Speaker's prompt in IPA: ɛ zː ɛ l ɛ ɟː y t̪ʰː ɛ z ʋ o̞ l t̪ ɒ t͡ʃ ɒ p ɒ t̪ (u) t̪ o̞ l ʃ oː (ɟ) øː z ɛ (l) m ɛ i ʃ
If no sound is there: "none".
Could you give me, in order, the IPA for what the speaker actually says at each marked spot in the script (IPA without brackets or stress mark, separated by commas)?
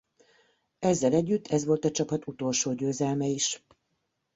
u, ɟ, l